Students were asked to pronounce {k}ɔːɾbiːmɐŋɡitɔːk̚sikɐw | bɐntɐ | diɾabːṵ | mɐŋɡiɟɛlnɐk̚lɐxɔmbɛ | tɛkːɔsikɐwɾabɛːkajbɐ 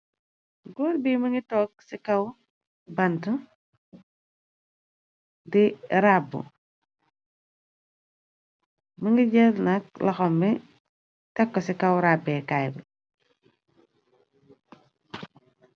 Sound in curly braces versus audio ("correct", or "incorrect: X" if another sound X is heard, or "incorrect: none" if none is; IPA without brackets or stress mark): incorrect: ɡ